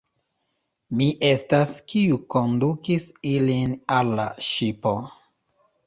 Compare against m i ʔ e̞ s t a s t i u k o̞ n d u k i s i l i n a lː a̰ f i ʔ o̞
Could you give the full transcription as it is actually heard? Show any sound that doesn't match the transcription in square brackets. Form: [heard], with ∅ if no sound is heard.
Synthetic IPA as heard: m i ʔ e̞ s t a s [k] i u k o̞ n d u k i s i l i n a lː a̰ [ʃ] i [p] o̞